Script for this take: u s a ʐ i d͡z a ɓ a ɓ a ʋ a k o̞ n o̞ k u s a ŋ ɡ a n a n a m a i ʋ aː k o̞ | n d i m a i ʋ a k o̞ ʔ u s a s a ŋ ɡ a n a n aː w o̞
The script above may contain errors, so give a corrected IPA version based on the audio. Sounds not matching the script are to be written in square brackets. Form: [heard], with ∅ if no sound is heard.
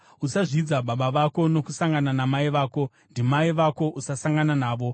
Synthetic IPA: u s a ʐ i d͡z a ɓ a ɓ a ʋ a k o̞ n o̞ k u s a ŋ ɡ a n a n a m a i ʋ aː k o̞ | n d i m a i ʋ a k o̞ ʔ u s a s a ŋ ɡ a n a n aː [ʋ] o̞